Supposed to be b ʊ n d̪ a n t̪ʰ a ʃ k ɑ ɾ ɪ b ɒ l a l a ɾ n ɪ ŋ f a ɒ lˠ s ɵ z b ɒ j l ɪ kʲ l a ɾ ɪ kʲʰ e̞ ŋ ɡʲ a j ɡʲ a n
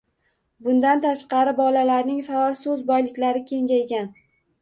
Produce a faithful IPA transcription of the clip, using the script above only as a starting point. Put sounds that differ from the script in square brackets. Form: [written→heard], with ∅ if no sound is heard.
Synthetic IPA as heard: b ʊ n d̪ a n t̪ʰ a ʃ [k→q] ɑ ɾ ɪ b ɒ l a l a ɾ n ɪ ŋ f a ɒ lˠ s ɵ z b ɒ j l ɪ kʲ l a ɾ ɪ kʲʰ e̞ ŋ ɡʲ a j ɡʲ a n